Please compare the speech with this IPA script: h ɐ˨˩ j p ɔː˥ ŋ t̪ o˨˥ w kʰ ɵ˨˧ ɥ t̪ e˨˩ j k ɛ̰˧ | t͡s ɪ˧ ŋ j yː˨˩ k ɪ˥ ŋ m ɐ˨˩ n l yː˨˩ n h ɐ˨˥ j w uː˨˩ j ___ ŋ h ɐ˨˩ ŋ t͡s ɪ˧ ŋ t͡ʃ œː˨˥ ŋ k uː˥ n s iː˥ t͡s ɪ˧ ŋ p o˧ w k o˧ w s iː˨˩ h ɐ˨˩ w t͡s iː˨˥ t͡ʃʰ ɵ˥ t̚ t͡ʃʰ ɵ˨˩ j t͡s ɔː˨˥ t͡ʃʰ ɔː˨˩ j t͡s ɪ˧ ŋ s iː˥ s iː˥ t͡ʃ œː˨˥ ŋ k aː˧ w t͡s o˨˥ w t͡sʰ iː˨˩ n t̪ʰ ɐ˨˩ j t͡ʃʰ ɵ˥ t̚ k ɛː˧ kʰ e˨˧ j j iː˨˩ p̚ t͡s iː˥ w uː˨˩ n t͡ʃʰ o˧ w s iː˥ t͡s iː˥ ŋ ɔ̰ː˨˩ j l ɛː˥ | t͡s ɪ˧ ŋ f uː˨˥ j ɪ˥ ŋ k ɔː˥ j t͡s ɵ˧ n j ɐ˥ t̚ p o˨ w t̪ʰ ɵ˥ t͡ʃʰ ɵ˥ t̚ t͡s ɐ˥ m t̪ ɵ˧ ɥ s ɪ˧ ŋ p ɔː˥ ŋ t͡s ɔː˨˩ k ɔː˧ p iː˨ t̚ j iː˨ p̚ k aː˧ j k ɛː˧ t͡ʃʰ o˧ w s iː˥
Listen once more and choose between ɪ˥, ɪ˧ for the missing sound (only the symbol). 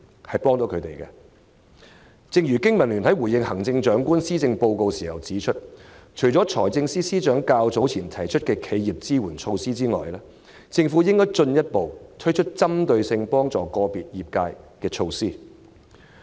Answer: ɪ˧